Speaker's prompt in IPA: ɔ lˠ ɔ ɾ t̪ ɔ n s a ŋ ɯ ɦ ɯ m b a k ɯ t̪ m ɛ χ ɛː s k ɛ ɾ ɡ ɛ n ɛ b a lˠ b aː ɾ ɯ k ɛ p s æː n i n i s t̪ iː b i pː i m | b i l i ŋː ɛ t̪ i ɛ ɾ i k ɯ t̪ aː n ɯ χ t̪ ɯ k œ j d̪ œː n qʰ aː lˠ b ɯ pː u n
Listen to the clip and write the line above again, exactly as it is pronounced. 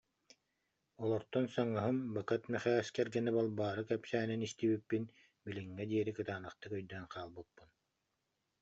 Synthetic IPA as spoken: ɔ lˠ ɔ ɾ t̪ ɔ n s a ŋ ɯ ɦ ɯ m b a k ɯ t̪ m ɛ χ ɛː s k ɛ ɾ ɡ ɛ n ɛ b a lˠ b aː ɾ ɯ k ɛ p s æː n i n i s t̪ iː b i pː i n | b i l i ŋː ɛ d̪ i ɛ ɾ i k ɯ t̪ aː n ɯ χ t̪ ɯ k œ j d̪ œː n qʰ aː lˠ b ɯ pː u n